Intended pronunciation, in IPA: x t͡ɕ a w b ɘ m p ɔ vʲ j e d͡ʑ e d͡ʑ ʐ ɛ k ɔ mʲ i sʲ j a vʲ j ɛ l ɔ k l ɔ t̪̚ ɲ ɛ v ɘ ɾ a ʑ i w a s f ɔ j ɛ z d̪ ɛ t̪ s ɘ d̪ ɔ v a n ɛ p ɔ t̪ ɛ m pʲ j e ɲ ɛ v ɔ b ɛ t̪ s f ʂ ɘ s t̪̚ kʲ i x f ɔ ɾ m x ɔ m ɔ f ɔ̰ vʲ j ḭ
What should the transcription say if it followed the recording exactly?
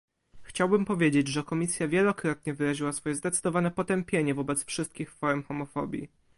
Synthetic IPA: x t͡ɕ a w b ɘ m p ɔ vʲ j e d͡ʑ e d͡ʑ ʐ ɛ k ɔ mʲ i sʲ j a vʲ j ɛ l ɔ k ɾ ɔ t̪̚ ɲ ɛ v ɘ ɾ a ʑ i w a s f ɔ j ɛ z d̪ ɛ t̪ s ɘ d̪ ɔ v a n ɛ p ɔ t̪ ɛ m pʲ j e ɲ ɛ v ɔ b ɛ t̪ s f ʂ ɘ s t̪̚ kʲ i x f ɔ ɾ m x ɔ m ɔ f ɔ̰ bʲ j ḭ